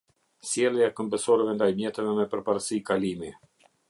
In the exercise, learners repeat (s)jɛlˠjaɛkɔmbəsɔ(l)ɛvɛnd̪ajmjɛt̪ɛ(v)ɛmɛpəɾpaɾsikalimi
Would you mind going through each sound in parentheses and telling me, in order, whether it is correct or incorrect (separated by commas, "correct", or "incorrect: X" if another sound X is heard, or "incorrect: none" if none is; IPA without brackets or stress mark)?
correct, incorrect: ɾ, correct